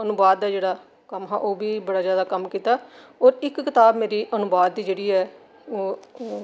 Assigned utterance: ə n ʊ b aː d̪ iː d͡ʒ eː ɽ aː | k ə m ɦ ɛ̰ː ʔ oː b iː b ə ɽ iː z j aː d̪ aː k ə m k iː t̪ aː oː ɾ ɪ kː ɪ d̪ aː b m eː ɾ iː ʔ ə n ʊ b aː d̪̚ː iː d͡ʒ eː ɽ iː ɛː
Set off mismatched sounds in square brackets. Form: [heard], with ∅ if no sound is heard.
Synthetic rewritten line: ə n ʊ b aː d̪ [aː] d͡ʒ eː ɽ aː | k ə m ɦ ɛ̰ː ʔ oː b iː b ə ɽ [aː] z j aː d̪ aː k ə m k iː t̪ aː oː ɾ ɪ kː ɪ [t̪] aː b m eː ɾ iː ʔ ə n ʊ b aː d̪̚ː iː d͡ʒ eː ɽ iː ɛː